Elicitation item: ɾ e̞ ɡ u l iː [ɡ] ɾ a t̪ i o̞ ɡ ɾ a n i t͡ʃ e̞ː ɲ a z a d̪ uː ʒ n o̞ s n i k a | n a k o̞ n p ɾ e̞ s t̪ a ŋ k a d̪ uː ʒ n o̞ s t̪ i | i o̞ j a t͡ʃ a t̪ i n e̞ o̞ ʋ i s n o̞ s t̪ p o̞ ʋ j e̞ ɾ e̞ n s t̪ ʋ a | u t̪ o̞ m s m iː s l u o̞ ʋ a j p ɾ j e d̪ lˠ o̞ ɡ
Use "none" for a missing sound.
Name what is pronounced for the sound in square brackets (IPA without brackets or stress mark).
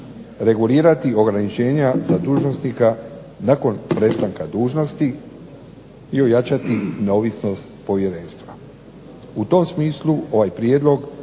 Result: none